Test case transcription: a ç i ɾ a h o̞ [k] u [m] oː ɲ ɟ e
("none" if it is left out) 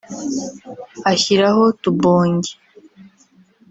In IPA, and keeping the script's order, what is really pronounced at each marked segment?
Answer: t, b

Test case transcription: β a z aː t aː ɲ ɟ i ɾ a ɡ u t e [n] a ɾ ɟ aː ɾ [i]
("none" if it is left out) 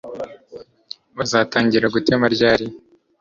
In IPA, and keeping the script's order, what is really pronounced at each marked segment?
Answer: m, i

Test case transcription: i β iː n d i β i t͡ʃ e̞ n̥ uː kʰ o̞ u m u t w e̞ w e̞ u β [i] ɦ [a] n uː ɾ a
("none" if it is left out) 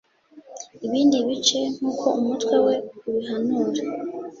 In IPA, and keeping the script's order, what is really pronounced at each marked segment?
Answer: i, a

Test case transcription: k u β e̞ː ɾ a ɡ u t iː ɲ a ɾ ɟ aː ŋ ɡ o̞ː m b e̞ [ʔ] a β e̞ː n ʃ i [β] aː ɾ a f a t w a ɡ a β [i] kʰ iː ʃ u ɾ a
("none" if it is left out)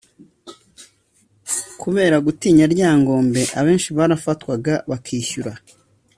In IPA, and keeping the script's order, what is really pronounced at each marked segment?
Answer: ʔ, β, a

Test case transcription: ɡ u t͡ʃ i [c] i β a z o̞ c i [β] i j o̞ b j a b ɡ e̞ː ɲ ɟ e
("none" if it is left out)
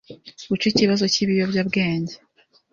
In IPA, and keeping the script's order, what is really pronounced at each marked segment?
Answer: c, β

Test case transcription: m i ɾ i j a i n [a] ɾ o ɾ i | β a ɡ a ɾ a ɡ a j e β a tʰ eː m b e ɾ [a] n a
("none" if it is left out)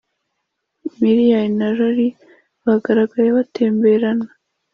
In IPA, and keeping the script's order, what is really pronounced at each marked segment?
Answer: a, a

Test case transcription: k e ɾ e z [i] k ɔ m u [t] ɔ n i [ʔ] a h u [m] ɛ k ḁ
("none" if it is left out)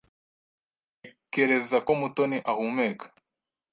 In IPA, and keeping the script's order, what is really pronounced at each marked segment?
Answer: a, t, ʔ, m

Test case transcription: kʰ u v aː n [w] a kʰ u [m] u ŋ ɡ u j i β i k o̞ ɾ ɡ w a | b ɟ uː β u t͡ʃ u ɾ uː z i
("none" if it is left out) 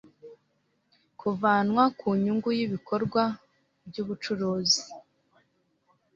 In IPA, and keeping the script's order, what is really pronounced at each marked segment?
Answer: w, ɲ

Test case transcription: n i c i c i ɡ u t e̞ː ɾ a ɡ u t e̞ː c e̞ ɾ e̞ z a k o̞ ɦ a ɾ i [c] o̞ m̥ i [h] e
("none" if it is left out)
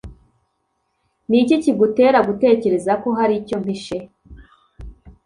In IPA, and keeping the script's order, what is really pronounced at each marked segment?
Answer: c, ʃ

